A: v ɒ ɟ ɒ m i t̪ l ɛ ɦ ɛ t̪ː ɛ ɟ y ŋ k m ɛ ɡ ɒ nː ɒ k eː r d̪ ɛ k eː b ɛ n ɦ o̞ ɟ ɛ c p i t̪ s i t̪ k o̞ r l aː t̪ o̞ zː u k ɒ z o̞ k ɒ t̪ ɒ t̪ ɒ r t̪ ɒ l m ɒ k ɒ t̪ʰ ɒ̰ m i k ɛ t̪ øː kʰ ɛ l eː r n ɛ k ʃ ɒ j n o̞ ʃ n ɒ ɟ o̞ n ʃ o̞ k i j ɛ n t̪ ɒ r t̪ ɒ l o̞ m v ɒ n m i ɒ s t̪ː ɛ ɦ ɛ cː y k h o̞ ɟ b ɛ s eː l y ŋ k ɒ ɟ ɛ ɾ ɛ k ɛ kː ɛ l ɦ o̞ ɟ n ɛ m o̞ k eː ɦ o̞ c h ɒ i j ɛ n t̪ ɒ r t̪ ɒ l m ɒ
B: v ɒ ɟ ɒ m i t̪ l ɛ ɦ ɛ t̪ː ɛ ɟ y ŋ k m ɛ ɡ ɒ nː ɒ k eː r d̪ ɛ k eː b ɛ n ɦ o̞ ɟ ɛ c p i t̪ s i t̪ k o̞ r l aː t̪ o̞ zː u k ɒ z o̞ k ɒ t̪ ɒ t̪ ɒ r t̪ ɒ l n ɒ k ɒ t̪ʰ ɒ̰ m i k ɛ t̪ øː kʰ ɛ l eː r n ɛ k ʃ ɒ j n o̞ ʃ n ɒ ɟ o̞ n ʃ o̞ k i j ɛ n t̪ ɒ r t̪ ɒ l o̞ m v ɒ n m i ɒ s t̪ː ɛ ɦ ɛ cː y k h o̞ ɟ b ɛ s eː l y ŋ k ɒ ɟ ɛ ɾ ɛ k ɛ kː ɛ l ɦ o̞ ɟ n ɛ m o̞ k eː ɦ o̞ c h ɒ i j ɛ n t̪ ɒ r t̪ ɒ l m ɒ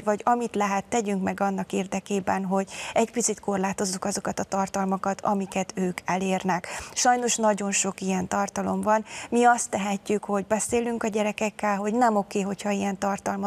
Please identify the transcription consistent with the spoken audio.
A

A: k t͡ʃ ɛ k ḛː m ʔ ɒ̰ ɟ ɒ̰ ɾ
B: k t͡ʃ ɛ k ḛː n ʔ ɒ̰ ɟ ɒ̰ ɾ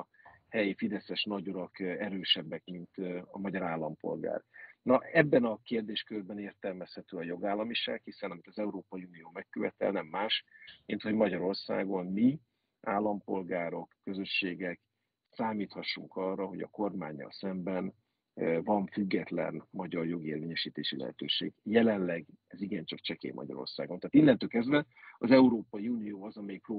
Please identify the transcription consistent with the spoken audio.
A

